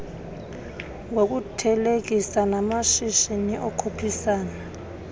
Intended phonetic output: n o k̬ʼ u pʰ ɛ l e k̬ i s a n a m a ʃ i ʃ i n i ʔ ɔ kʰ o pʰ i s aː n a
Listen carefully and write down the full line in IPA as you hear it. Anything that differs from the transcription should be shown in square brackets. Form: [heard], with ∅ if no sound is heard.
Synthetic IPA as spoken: [ŋ] o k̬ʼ u [tʰ] ɛ l e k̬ i s a n a m a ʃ i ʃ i n i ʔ ɔ kʰ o pʰ i s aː n a